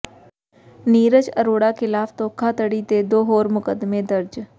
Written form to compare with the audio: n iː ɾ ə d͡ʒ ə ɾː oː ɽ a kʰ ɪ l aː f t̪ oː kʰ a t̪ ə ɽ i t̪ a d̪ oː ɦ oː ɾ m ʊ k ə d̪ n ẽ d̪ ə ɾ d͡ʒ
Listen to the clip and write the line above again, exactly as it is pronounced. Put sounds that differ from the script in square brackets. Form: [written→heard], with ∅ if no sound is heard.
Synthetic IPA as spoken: n iː ɾ ə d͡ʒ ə [ɾː→ɾ] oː ɽ a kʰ ɪ l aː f t̪ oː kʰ a t̪ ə ɽ i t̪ [a→e] d̪ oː ɦ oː ɾ m ʊ k ə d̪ [n→m] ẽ d̪ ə ɾ d͡ʒ